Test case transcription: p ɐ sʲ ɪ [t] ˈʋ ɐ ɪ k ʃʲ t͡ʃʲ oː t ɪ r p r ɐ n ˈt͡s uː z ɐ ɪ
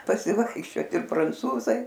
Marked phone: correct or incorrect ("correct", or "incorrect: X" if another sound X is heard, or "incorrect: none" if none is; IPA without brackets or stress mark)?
incorrect: none